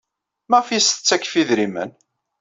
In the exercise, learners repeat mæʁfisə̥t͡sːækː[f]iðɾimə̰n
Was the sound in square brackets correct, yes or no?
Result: yes